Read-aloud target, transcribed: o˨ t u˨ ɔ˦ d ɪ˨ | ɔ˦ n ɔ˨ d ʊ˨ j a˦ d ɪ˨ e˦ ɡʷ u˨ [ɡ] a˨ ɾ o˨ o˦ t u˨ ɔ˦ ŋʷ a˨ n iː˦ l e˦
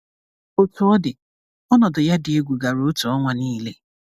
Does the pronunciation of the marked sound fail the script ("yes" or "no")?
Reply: no